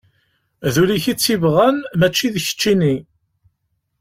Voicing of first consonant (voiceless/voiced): voiced